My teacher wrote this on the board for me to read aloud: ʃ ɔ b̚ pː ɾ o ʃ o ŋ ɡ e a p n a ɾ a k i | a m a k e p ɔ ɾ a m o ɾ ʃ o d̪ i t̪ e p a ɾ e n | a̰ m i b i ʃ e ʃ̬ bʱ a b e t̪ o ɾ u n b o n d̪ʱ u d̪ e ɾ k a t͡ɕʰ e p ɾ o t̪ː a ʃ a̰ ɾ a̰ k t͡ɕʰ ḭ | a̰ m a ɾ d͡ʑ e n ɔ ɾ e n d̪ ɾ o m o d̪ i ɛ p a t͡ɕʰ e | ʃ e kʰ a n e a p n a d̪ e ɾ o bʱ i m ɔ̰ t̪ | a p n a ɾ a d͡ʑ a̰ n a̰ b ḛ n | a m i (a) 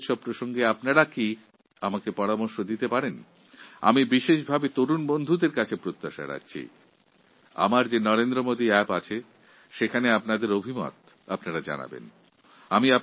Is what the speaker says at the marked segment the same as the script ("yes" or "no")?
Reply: yes